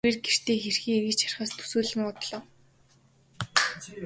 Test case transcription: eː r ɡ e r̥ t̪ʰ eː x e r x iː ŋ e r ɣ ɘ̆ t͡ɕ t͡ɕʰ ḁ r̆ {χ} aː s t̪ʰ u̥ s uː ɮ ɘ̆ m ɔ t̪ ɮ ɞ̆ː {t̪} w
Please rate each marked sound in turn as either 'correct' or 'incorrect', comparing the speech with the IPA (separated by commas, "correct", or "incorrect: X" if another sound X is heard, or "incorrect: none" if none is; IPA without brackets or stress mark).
correct, incorrect: none